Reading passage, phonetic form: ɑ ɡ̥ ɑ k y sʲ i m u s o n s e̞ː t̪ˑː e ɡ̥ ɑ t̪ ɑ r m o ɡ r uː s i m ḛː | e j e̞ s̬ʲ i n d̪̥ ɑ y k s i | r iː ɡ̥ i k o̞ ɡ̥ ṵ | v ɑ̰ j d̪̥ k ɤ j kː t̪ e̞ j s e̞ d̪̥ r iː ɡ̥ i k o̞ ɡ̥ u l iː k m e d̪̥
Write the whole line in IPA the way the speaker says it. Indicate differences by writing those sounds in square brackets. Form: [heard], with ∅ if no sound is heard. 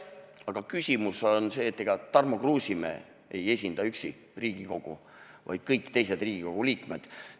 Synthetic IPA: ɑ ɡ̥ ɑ k y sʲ i m u s o n s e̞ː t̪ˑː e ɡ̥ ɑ t̪ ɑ r m o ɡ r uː s i m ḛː | e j e̞ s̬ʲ i n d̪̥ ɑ y k s i | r iː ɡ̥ i k o̞ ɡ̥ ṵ | v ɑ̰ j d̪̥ k ɤ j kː t̪ e̞ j s e̞ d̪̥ r iː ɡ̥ i k o̞ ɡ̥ u l iː k m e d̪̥